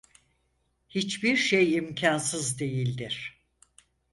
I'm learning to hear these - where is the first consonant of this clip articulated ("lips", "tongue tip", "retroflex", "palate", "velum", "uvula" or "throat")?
throat